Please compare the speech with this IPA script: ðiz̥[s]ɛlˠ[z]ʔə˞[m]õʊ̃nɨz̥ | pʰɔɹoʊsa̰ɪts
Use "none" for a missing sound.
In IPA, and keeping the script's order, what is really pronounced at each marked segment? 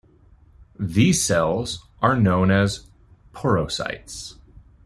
s, z, n

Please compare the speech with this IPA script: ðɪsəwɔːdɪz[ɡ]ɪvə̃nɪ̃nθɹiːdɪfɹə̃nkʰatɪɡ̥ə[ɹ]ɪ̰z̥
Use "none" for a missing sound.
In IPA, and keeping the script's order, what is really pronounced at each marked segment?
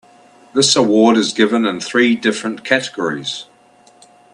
ɡ, ɹ

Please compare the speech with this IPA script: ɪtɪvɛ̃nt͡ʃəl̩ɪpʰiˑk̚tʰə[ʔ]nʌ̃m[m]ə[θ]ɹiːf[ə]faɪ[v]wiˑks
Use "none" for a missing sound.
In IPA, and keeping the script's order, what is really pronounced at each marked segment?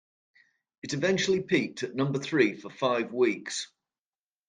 ʔ, b, θ, ə, v

